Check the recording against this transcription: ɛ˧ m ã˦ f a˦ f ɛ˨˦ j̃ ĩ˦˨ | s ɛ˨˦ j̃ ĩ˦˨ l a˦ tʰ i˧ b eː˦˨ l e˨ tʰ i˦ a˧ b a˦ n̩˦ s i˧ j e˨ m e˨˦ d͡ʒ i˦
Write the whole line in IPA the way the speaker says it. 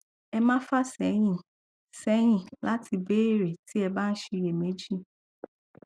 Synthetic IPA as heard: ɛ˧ m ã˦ f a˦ s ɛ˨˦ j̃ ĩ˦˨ | s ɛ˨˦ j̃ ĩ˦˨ l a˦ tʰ i˧ b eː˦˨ ɾ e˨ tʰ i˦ ɛ˧ b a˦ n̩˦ ʃ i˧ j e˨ m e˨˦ d͡ʒ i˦